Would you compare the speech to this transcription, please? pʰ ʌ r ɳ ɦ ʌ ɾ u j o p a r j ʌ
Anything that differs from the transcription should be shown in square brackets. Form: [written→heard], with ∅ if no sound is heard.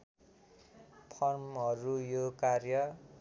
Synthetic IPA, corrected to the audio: pʰ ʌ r [ɳ→m] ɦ ʌ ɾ u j o [p→k] a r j ʌ